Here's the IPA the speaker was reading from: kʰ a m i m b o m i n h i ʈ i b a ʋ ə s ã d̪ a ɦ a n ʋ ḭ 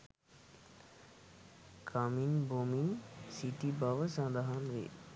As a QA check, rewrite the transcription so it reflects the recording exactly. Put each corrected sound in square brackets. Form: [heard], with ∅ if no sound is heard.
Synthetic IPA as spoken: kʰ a m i [n] b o m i n [s] i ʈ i b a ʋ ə s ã d̪ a ɦ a n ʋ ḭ